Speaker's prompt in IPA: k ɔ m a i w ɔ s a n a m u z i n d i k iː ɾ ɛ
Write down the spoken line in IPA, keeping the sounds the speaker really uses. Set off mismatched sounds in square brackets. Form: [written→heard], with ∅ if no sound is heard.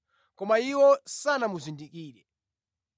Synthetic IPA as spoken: k ɔ m a i w ɔ s a n a m u z i n d i k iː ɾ ɛ